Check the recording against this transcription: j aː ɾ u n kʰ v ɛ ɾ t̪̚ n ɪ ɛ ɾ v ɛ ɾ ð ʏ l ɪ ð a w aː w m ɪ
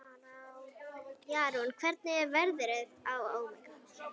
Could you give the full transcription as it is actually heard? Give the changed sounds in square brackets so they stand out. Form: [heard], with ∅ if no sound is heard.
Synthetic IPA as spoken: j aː ɾ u n kʰ v ɛ ɾ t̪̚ n ɪ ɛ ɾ v ɛ ɾ ð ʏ [ɾ] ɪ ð a w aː w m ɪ